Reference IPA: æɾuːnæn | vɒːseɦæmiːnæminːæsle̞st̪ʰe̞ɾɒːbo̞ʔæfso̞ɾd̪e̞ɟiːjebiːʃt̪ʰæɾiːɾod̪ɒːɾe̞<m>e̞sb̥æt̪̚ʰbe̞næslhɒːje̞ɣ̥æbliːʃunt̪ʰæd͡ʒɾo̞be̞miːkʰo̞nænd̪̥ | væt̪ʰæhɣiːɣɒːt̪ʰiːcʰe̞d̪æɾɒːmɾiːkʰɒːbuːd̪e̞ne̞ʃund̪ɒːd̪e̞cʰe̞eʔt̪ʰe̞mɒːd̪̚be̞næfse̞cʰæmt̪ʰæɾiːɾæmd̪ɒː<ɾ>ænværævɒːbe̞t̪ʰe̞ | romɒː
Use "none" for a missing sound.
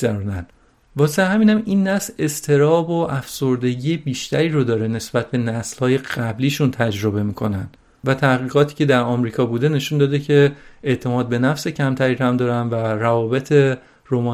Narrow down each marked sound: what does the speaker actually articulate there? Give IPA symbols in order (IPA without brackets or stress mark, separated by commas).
n, ɾ